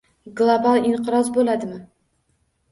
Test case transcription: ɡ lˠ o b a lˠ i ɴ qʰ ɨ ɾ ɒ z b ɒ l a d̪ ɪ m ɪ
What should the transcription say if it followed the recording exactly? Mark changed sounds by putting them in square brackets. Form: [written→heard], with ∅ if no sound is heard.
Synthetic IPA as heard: ɡ lˠ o b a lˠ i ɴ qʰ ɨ ɾ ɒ z b [ɒ→o] l a d̪ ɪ m ɪ